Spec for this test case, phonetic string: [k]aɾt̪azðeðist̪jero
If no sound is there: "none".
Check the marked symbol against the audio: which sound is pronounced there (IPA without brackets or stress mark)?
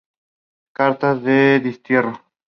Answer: k